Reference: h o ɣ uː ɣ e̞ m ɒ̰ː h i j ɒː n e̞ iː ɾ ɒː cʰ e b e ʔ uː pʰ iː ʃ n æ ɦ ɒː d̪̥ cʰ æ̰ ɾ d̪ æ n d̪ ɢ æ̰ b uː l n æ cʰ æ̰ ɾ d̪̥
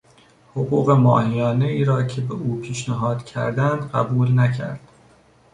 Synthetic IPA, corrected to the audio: h o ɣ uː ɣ e̞ m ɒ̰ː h i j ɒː n e̞ iː ɾ ɒː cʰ e b e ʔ uː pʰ iː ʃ n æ ɦ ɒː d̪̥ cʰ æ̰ ɾ d̪ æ n d̪ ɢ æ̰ b uː l n æ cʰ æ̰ ɾ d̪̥